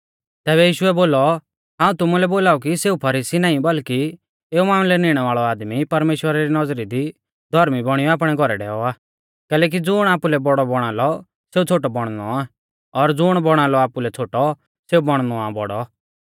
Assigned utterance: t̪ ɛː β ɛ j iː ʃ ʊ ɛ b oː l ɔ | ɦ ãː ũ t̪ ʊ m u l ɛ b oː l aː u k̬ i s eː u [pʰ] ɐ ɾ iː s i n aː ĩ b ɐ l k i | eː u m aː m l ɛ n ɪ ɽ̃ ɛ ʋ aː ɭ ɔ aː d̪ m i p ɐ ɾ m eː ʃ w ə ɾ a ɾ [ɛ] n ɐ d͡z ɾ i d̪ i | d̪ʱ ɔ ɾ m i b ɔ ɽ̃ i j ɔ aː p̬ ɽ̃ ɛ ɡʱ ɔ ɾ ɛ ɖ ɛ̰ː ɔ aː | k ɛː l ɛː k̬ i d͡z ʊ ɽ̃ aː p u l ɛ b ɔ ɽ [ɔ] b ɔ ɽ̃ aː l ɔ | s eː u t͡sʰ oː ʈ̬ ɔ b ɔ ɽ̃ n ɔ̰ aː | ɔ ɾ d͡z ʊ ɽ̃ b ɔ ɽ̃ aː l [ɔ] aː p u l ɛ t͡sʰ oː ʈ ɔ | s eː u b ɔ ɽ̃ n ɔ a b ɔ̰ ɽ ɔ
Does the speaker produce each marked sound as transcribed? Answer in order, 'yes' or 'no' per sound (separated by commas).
yes, no, yes, yes